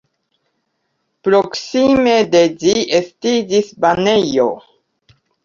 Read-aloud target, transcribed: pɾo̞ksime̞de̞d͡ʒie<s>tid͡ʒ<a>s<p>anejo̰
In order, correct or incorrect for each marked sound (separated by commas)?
correct, incorrect, incorrect